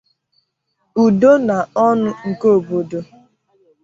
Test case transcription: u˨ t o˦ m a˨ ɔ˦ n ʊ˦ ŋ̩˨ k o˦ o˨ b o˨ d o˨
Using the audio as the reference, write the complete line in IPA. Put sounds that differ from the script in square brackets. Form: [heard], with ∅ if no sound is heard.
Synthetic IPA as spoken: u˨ [d] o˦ [n] a˨ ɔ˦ n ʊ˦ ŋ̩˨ k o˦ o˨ b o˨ d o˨